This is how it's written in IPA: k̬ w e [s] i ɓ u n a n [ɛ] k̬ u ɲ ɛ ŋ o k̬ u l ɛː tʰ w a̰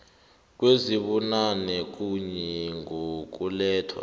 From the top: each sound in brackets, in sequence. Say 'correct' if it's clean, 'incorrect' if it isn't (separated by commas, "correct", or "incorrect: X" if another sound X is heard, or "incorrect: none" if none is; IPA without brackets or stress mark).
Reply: incorrect: z, correct